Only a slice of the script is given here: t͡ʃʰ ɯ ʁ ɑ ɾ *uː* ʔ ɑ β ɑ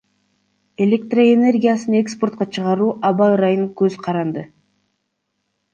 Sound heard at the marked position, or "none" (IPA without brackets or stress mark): uː